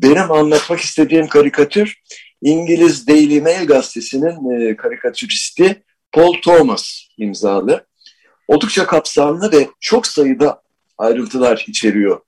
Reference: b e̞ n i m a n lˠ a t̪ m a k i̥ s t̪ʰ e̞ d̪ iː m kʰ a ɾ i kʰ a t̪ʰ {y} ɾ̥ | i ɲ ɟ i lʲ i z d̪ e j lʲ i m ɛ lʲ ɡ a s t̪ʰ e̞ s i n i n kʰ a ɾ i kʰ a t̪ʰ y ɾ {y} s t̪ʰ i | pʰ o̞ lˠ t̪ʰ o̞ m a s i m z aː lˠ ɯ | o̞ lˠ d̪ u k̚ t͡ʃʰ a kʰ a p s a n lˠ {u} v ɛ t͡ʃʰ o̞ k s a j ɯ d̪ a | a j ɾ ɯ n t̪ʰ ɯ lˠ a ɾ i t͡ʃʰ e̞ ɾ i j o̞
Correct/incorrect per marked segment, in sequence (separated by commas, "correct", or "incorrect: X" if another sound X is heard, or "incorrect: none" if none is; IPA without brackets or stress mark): correct, incorrect: i, incorrect: ɯ